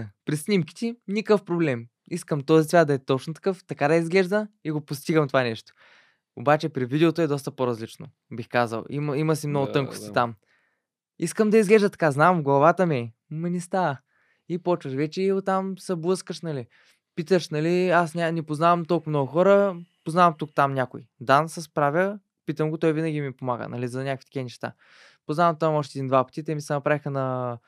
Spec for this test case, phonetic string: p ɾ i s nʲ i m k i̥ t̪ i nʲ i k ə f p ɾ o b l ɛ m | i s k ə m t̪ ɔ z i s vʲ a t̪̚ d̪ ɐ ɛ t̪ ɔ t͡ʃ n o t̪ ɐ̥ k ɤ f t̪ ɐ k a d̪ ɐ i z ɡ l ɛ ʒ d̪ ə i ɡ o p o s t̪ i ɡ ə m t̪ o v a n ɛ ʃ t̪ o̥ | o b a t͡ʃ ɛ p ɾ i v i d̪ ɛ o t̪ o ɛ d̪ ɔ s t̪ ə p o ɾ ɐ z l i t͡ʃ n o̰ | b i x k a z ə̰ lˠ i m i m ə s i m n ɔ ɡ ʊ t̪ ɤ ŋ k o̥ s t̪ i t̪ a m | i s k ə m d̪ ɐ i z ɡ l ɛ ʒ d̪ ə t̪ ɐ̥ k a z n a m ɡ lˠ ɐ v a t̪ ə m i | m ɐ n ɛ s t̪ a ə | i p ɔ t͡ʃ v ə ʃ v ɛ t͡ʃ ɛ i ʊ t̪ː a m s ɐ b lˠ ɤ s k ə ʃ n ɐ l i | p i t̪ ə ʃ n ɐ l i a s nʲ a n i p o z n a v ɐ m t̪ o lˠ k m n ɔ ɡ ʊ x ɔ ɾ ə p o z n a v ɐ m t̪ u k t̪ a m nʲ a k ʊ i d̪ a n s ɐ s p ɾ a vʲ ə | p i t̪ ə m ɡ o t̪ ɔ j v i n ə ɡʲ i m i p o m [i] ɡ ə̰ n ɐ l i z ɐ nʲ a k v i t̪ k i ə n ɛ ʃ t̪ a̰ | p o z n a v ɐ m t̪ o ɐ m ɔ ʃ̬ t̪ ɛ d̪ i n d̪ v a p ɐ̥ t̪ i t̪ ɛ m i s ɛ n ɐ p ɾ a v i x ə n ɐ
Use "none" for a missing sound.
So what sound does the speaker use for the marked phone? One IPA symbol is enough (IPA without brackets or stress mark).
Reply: a